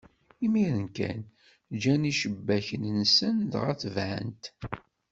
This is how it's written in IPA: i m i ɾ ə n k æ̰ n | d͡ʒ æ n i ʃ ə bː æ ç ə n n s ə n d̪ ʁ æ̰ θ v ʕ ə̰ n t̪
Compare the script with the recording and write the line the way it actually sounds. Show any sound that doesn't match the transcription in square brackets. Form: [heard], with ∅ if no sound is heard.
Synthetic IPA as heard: i m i ɾ ə n k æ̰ n | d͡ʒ æ n i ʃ ə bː æ ç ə n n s ə n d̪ ʁ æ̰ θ v ʕ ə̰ n t̪